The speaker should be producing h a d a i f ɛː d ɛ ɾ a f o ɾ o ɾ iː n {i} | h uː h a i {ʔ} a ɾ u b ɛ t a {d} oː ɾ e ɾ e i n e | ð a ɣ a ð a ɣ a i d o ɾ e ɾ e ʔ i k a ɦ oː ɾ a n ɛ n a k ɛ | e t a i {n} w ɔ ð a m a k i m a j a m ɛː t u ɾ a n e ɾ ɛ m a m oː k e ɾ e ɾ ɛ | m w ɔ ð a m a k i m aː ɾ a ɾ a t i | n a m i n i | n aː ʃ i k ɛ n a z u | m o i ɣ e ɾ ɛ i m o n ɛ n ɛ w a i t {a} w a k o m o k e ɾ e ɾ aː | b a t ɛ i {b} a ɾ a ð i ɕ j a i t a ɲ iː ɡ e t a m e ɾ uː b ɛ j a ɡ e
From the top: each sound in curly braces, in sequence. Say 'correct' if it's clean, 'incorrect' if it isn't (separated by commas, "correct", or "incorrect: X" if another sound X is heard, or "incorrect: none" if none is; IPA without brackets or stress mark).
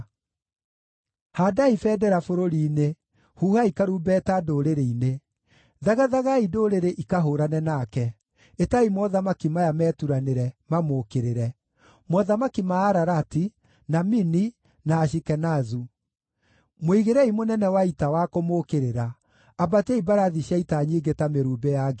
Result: incorrect: e, incorrect: k, correct, incorrect: m, correct, correct